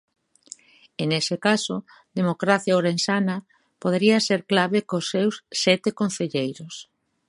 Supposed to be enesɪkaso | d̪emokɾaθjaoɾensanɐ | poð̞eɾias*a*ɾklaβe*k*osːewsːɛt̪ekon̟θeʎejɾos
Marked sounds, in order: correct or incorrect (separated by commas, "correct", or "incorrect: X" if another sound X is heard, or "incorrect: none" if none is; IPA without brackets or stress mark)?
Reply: incorrect: e, correct